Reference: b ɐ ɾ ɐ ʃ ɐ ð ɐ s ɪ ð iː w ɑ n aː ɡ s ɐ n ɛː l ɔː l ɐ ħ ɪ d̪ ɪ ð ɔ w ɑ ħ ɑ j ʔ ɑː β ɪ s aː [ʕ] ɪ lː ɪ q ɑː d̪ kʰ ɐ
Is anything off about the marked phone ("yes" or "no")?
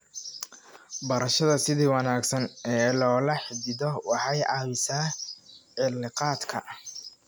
no